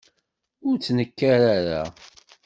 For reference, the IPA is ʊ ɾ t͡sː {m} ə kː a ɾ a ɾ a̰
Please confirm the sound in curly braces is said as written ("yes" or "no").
no